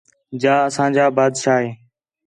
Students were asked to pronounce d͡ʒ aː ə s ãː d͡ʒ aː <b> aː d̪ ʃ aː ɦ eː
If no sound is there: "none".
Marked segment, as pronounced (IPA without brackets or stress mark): b